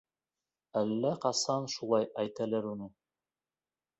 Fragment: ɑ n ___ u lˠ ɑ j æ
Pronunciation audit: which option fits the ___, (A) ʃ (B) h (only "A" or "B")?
A